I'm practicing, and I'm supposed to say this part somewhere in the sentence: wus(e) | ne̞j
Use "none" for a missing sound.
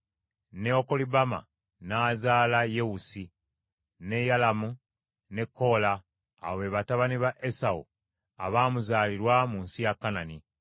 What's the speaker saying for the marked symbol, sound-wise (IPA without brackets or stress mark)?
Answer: i